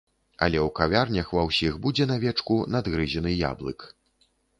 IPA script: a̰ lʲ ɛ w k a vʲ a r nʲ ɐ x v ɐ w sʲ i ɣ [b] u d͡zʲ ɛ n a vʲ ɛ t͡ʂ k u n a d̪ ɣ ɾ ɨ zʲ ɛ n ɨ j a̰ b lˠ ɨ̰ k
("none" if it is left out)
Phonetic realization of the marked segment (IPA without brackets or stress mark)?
b